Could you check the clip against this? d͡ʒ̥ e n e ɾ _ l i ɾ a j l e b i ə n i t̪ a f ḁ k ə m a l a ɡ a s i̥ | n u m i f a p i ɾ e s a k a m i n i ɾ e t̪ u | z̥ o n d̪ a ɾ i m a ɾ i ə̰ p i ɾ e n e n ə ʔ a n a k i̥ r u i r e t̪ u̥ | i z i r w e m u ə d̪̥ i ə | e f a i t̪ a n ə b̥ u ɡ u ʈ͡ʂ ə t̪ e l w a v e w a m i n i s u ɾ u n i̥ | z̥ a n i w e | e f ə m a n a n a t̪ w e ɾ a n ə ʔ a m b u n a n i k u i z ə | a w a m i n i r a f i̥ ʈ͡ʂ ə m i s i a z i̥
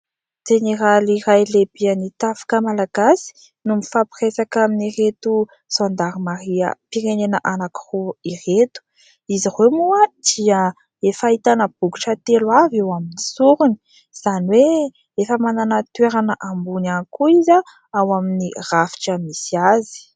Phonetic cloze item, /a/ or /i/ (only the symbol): a